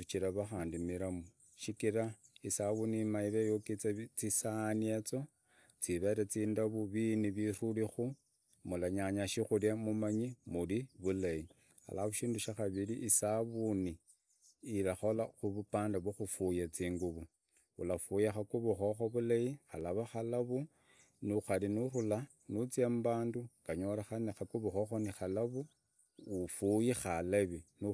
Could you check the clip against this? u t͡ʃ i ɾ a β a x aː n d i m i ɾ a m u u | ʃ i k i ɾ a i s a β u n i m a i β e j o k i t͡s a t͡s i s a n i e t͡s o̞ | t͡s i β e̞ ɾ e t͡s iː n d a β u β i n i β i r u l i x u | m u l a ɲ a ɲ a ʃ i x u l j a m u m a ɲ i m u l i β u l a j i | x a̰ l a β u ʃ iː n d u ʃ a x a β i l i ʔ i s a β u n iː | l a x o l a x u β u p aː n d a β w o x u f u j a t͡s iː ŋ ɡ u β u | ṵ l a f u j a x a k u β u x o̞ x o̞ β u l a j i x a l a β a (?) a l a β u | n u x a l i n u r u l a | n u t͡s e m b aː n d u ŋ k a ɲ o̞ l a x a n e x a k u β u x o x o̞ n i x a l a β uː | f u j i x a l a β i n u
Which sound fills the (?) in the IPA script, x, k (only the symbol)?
x